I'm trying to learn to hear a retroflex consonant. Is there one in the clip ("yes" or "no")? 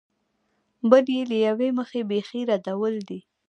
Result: no